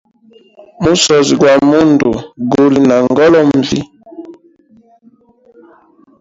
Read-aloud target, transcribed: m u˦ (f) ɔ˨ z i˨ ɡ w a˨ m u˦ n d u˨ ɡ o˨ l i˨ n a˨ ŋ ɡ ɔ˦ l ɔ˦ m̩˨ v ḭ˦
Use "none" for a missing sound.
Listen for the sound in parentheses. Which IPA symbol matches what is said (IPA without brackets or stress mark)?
s